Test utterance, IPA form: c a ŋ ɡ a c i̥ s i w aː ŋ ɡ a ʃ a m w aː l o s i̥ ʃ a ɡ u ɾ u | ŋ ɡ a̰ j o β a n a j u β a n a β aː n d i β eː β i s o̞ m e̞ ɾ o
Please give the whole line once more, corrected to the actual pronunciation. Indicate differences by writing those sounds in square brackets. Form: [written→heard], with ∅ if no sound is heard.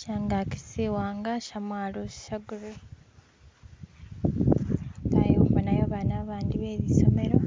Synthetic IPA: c a ŋ ɡ a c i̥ s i w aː ŋ ɡ a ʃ a m w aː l o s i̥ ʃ a ɡ u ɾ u | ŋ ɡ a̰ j o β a n a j [u→o] β a n a β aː n d i β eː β i s o̞ m e̞ ɾ o